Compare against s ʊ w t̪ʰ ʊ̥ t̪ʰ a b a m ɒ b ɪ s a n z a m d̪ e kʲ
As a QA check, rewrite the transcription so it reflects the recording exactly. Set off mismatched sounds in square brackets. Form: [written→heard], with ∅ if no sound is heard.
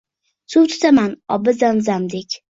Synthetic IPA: s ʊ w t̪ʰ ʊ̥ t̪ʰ a [b→m] a [m→n] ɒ b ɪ [s→z] a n z a m d̪ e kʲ